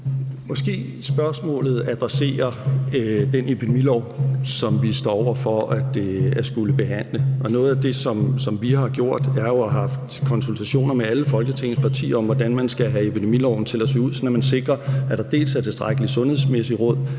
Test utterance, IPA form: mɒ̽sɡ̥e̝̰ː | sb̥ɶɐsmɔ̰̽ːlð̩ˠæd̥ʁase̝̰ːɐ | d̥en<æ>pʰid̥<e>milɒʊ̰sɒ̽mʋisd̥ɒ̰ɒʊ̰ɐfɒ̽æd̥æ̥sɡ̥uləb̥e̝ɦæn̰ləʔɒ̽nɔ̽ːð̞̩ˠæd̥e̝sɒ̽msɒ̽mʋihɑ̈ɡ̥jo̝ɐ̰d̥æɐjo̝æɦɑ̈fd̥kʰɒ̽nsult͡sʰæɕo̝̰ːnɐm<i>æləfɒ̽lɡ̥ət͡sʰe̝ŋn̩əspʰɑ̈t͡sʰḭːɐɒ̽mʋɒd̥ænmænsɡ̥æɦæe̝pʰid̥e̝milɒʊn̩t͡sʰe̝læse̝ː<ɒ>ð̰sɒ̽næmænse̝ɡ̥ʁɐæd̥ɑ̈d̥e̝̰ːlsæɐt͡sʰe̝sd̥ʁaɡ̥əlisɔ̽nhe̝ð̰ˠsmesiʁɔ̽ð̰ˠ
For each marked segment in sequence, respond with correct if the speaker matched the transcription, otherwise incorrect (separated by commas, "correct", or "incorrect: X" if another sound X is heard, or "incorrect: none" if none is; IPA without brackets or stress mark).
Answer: incorrect: e, correct, incorrect: e, incorrect: u